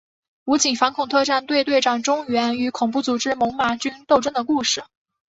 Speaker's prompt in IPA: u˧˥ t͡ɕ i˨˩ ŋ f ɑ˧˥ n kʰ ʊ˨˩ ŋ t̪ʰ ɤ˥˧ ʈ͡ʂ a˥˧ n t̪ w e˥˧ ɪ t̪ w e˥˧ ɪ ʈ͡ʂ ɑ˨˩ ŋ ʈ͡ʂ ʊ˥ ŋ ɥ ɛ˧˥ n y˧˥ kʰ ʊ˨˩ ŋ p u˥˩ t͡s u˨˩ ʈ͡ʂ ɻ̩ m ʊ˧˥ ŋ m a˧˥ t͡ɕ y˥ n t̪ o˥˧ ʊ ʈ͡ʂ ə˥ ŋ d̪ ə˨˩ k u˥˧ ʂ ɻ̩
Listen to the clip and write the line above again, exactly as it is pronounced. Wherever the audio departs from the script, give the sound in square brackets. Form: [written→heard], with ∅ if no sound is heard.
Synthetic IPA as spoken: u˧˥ t͡ɕ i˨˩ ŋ f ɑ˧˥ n kʰ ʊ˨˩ ŋ t̪ʰ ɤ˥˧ ʈ͡ʂ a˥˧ n t̪ w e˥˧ ɪ t̪ w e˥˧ ɪ ʈ͡ʂ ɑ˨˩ ŋ ʈ͡ʂ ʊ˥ ŋ ɥ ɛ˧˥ n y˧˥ kʰ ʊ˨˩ ŋ p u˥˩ t͡s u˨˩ ʈ͡ʂ ɻ̩ m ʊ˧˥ ŋ m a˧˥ t͡ɕ y˥ n t̪ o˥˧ ʊ ʈ͡ʂ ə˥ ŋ d̪ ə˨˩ k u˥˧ ʂ ɻ̩